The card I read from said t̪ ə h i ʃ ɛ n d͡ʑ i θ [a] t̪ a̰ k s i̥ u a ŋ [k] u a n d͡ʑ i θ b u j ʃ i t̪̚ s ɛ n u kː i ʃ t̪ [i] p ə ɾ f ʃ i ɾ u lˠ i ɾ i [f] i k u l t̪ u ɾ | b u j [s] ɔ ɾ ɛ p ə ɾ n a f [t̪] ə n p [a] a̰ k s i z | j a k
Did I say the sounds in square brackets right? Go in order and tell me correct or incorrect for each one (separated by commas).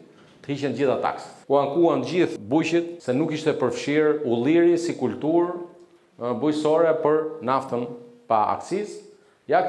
correct, correct, incorrect, incorrect, correct, correct, correct